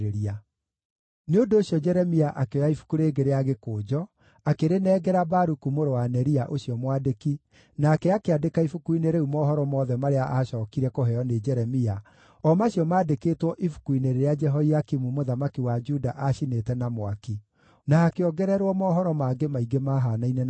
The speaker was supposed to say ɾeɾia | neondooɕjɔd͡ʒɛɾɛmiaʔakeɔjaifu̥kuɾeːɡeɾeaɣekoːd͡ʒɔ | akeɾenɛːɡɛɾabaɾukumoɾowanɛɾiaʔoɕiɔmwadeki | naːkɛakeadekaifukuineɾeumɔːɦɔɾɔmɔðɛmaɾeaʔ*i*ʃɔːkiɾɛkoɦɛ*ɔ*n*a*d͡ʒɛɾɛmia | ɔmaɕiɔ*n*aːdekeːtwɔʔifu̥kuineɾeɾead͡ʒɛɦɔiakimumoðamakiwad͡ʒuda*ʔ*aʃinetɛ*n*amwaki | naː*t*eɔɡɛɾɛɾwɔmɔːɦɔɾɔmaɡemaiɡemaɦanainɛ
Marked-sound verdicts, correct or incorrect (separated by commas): incorrect, correct, incorrect, incorrect, correct, correct, incorrect